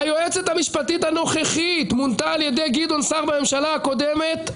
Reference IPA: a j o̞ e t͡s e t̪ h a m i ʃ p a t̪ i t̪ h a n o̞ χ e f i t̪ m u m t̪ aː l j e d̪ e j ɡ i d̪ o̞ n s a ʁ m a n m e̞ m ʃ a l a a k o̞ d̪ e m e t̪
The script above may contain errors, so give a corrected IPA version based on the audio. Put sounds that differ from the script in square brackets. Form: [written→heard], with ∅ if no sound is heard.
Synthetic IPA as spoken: a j o̞ e t͡s e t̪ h a m i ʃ p a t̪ i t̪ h a n o̞ χ e [f→χ] i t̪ m u [m→n] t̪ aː l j e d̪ e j ɡ i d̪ o̞ n s a ʁ [m→b] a [n→∅] m e̞ m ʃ a l a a k o̞ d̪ e m e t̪